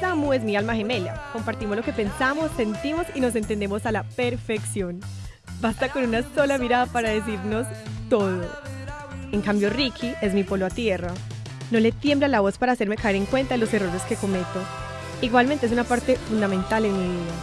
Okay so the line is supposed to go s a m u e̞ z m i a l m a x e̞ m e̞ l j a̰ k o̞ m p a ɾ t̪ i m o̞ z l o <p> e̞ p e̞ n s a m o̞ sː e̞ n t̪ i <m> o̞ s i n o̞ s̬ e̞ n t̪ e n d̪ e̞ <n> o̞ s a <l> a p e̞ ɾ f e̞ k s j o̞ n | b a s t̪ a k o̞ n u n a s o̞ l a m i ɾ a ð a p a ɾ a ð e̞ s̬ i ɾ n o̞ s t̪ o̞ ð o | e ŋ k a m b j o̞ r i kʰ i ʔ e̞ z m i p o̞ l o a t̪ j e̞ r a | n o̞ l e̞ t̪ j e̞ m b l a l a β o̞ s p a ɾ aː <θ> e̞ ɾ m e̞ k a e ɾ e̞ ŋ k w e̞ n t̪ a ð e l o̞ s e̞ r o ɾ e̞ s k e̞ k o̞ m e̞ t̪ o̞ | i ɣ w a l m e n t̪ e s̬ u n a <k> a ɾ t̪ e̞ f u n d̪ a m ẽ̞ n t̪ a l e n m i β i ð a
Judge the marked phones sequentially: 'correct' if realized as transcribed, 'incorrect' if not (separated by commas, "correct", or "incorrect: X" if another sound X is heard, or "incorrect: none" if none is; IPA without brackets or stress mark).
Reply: incorrect: k, correct, incorrect: m, correct, incorrect: s, incorrect: p